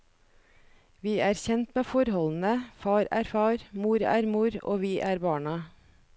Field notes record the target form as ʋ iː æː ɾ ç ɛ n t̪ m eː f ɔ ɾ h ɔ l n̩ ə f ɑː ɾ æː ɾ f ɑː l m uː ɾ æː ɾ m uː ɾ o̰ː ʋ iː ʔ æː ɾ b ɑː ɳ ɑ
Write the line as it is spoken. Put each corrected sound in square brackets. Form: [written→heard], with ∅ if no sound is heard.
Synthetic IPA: ʋ iː æː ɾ ç ɛ n t̪ m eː f ɔ ɾ h ɔ l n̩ ə f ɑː ɾ æː ɾ f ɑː [l→ɾ] m uː ɾ æː ɾ m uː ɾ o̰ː ʋ iː ʔ æː ɾ b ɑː ɳ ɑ